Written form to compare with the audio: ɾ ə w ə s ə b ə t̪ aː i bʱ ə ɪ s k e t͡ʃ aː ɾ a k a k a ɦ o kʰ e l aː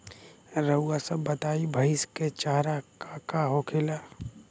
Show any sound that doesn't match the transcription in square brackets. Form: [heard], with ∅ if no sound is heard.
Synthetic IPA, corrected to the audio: ɾ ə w [a] s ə b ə t̪ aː i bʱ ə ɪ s k e t͡ʃ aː ɾ a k a k a ɦ o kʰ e l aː